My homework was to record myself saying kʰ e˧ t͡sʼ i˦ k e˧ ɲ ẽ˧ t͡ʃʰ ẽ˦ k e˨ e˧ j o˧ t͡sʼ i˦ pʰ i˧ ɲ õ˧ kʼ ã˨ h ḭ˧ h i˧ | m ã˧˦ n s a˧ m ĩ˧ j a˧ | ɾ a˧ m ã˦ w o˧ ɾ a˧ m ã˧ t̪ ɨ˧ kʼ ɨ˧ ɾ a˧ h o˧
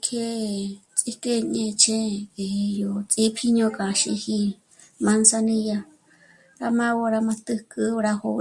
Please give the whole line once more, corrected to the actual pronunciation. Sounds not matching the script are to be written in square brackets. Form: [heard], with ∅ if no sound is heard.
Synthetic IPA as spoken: kʰ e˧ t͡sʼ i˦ k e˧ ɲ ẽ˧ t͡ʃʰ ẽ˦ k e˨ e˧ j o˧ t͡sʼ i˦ pʰ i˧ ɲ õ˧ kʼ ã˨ [ʃ] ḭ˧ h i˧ | m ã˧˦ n s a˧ [n] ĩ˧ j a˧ | ɾ a˧ m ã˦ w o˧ ɾ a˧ m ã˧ t̪ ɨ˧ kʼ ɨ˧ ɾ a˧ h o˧